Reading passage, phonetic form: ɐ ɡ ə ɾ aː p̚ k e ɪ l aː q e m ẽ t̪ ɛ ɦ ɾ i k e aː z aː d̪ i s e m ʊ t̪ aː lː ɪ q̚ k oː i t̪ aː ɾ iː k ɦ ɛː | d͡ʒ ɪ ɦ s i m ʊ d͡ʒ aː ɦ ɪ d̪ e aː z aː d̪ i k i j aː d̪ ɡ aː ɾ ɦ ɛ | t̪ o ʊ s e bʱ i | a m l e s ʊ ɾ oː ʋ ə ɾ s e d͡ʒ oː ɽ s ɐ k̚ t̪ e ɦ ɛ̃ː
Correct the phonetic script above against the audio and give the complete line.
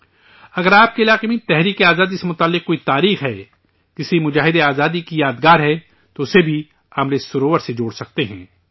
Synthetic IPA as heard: ɐ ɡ ə ɾ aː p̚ k e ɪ l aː q e m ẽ t̪ ɛ ɦ ɾ iː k e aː z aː d̪ i s e m ʊ t̪ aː lː ɪ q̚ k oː i t̪ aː ɾ iː x ɦ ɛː | d͡ʒ ɪ s i m ʊ d͡ʒ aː ɦ ɪ d̪ e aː z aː d̪ i k i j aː d̪ ɡ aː ɾ ɦ ɛ | t̪ o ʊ s e bʱ i | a m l e s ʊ ɾ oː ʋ ə ɾ s e d͡ʒ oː ɽ s ɐ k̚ t̪ e ɦ ɛ̃ː